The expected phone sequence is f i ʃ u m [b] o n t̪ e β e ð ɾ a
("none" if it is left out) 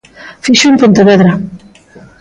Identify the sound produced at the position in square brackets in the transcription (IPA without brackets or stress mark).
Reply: p